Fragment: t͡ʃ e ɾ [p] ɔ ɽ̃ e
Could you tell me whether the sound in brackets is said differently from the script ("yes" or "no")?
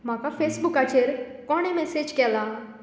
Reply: yes